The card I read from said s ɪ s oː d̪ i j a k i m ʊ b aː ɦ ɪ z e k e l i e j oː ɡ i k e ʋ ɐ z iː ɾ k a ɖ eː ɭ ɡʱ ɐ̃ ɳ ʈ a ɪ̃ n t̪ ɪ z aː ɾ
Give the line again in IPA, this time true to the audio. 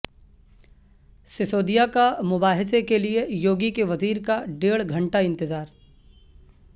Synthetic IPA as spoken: s ɪ s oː d̪ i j a k a m ʊ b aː ɦ ɪ s e k e l i e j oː ɡ i k e ʋ ɐ z iː ɾ k a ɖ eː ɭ ɡʱ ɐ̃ ɳ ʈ a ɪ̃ n t̪ ɪ z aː ɾ